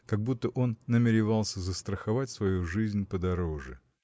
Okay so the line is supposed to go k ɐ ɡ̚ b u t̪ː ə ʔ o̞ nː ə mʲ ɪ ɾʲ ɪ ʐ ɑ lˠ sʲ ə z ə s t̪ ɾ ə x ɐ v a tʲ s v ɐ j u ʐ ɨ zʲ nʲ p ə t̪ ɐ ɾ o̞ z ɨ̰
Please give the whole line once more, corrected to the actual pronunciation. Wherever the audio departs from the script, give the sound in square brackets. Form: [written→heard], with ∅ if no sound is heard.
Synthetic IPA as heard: k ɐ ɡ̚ b u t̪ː ə ʔ o̞ nː ə mʲ ɪ ɾʲ ɪ [ʐ→v] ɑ lˠ sʲ ə z ə s t̪ ɾ ə x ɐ v a tʲ s v ɐ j u ʐ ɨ zʲ nʲ p ə [t̪→d̪] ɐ ɾ o̞ [z→ʐ] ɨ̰